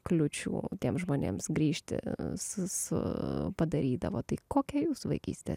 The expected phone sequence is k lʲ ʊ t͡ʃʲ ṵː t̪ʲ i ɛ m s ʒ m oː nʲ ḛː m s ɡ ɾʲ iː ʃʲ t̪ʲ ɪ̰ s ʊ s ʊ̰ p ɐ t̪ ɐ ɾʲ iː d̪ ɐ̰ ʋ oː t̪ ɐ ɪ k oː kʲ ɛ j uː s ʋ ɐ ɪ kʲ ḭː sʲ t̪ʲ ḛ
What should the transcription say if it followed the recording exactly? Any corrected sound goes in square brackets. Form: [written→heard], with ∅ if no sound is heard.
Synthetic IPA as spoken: k lʲ ʊ t͡ʃʲ ṵː t̪ʲ i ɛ m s ʒ m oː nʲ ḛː m s ɡ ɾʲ iː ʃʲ t̪ʲ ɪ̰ s ʊ s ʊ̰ p ɐ [t̪→d̪] ɐ ɾʲ iː d̪ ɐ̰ ʋ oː t̪ ɐ ɪ k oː kʲ ɛ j uː s ʋ ɐ ɪ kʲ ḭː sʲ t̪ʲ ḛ